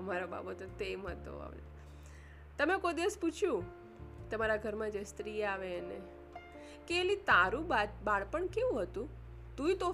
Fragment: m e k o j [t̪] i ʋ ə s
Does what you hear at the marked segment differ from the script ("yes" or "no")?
yes